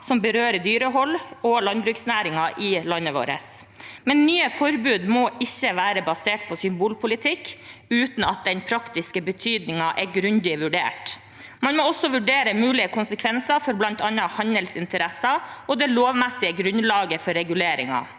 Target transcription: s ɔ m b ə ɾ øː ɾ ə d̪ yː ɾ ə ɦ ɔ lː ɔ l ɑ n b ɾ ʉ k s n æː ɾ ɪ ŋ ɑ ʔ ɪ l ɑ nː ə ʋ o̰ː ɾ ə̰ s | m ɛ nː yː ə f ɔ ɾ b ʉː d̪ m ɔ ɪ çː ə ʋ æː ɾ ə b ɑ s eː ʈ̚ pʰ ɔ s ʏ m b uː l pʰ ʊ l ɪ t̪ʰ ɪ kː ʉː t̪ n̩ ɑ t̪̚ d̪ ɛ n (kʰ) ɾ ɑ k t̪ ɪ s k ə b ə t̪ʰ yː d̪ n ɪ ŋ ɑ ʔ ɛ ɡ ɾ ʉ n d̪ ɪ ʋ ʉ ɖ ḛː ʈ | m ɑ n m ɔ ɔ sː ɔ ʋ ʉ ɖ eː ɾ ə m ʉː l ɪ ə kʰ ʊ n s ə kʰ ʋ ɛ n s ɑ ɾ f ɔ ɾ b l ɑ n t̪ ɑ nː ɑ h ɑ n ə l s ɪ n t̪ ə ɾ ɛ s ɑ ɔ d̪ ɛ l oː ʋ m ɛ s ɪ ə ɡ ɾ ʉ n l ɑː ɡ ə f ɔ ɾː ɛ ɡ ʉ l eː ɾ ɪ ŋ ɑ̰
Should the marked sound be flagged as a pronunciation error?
yes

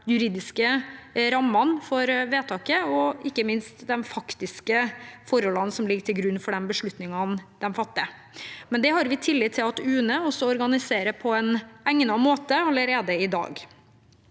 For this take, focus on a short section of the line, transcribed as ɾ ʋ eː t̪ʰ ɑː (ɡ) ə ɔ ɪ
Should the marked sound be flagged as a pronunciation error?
yes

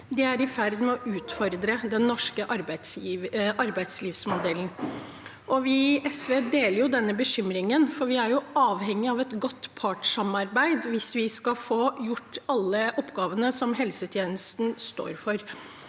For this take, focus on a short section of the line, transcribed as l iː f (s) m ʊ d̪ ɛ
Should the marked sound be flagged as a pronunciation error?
no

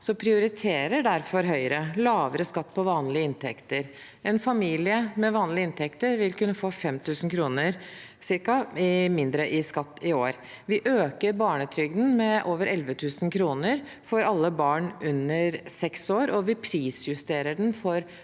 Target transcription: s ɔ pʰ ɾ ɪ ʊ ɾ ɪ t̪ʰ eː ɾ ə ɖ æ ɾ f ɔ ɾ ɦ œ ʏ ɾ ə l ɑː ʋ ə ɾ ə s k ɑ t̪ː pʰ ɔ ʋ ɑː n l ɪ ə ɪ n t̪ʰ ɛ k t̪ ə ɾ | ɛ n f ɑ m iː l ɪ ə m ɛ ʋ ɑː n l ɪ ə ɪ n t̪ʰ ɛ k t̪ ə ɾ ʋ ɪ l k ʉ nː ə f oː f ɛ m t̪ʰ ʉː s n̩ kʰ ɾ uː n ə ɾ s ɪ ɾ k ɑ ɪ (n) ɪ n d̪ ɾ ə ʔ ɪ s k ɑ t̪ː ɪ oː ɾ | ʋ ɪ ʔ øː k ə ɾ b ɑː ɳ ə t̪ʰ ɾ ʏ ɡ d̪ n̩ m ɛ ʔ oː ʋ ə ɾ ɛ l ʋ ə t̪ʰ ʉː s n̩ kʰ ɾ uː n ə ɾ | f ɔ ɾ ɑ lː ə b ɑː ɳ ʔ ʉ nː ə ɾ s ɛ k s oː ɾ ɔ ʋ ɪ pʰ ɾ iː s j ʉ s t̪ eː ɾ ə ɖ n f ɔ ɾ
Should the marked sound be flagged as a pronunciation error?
yes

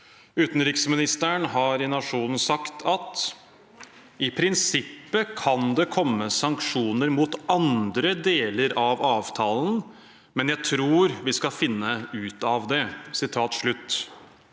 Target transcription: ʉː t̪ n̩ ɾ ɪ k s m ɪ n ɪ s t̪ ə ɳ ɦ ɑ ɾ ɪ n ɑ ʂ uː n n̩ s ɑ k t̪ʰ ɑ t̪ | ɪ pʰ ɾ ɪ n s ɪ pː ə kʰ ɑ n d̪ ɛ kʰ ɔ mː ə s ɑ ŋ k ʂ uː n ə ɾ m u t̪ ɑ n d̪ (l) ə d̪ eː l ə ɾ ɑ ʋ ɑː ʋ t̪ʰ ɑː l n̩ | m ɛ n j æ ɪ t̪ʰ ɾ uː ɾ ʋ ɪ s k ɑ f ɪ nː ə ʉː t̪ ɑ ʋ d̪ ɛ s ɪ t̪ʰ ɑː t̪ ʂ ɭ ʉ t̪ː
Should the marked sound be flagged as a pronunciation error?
yes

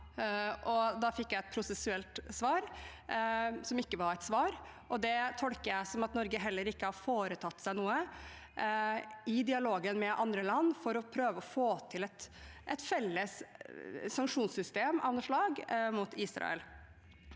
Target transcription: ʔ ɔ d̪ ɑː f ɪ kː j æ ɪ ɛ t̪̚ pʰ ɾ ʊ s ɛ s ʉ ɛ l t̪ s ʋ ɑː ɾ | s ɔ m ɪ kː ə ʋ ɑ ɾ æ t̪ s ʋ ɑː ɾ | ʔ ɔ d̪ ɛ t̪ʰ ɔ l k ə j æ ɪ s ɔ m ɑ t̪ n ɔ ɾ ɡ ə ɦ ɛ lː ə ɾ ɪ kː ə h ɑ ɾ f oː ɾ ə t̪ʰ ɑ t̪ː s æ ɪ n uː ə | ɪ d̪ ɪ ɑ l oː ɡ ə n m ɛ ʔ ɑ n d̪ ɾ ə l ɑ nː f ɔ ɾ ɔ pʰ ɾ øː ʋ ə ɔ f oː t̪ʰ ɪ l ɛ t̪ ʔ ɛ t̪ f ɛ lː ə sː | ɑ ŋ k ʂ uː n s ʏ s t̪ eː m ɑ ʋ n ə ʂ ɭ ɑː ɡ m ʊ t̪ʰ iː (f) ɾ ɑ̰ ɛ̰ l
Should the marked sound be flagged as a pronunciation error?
yes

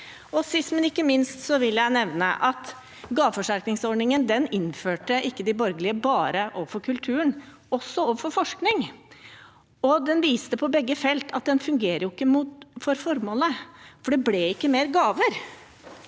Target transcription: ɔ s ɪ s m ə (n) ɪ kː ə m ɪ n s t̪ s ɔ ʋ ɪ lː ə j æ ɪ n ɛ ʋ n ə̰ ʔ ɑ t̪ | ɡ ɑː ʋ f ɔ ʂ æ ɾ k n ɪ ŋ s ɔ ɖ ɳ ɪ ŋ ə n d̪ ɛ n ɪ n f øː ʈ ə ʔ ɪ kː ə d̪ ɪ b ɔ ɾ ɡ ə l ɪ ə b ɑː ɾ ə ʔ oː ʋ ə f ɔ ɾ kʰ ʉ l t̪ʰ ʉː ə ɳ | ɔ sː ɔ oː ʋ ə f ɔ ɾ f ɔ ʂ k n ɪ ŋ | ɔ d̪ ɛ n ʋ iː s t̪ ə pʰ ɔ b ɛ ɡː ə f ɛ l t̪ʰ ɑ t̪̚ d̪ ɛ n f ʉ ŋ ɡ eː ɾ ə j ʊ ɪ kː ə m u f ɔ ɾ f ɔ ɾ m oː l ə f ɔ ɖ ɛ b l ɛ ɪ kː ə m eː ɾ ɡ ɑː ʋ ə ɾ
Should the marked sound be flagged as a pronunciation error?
no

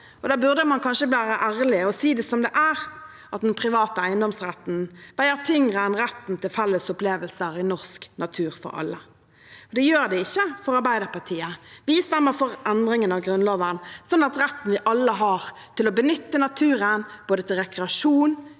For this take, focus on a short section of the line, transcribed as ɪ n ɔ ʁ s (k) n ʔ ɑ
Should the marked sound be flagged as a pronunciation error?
no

